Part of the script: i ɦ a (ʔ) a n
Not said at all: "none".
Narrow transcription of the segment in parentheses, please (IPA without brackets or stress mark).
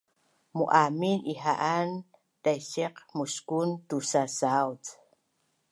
ʔ